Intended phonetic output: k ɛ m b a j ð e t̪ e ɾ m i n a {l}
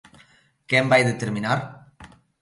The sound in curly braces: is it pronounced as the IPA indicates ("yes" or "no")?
no